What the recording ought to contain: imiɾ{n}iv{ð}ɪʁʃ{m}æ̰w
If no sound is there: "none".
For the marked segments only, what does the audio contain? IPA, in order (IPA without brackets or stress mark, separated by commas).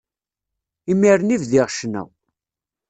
n, ð, n